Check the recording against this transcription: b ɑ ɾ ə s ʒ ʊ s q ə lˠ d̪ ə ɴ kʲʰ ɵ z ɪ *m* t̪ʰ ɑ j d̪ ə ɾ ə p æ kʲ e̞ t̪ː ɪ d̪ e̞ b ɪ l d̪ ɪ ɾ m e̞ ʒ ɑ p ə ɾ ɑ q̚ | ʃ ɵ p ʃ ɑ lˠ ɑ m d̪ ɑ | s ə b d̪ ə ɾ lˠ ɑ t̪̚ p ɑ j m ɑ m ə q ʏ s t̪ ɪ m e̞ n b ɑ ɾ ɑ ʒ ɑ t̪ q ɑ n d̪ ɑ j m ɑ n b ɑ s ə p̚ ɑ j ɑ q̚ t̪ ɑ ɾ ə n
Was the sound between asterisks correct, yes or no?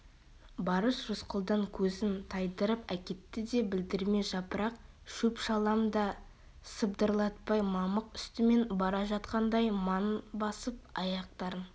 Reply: no